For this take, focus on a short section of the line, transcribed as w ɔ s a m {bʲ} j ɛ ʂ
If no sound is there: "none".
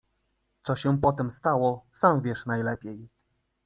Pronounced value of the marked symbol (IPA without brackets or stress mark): vʲ